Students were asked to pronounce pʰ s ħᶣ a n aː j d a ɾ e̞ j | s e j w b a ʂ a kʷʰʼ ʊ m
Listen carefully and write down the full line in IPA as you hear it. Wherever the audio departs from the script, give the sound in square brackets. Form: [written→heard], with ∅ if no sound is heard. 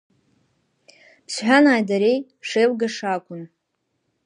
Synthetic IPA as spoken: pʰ s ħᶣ a n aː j d a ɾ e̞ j | [s→ʂ] e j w [b→ɡ] a ʂ a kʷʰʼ ʊ [m→n]